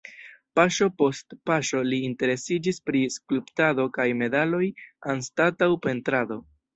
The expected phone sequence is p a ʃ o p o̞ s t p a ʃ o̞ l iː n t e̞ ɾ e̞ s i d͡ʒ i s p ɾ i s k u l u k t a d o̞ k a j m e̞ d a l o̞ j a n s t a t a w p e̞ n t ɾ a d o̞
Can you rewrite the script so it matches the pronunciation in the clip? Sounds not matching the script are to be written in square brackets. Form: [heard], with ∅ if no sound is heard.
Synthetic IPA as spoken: p a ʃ o p o̞ s t p a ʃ o̞ l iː n t e̞ ɾ e̞ s i d͡ʒ i s p ɾ i s k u l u [p] t a d o̞ k a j m e̞ d a l o̞ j a n s t a t a w p e̞ n t ɾ a d o̞